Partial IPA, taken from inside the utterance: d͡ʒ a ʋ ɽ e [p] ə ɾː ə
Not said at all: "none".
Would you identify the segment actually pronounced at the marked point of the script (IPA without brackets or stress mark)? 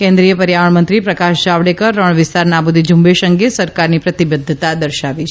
k